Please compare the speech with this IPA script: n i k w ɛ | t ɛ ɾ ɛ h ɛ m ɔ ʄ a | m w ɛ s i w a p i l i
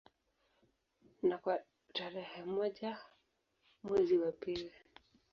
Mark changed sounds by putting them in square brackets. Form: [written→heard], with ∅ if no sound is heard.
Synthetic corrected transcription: n [i→a] k w [ɛ→a] | t [ɛ→a] ɾ ɛ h ɛ m ɔ ʄ a | m w ɛ [s→z] i w a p i l i